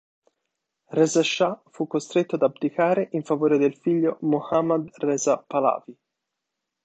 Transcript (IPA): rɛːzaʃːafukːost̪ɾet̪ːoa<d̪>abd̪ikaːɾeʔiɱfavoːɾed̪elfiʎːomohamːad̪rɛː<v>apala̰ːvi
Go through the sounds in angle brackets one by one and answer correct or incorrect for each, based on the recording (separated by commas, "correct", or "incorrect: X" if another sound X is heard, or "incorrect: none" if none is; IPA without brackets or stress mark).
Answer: correct, incorrect: z